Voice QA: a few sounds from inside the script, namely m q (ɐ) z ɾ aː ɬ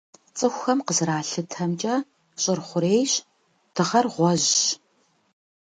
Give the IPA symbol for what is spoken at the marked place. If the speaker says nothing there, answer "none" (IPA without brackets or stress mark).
ə